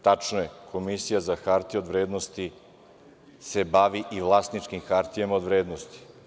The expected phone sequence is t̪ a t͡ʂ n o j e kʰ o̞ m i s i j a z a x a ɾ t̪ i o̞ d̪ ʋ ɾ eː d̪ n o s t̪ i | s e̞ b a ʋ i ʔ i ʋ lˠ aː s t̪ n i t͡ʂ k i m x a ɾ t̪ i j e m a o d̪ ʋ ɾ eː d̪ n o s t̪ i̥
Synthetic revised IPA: t̪ a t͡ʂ n o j e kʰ o̞ m i s i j a z a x a ɾ t̪ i o̞ d̪ ʋ ɾ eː d̪ n o s t̪ i | s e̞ b a ʋ i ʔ i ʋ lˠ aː s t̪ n i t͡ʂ k i m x a ɾ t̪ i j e m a o d̪ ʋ ɾ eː d̪ n o s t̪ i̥